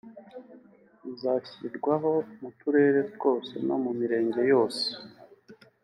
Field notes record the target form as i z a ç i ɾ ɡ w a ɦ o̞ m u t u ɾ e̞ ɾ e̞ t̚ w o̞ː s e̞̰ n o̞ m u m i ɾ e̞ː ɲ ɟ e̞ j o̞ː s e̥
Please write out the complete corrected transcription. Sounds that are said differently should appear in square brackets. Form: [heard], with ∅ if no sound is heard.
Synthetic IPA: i z a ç i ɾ ɡ w a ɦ o̞ m u t u ɾ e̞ ɾ e̞ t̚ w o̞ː s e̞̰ n o̞ m u m i ɾ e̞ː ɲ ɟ e̞ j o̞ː s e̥